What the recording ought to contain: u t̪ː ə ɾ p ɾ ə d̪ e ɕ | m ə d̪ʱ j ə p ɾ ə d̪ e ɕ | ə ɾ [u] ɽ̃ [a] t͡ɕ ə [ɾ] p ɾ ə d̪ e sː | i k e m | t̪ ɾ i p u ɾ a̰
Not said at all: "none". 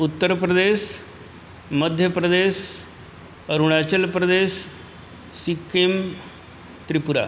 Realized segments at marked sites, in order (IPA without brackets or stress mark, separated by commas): u, a, l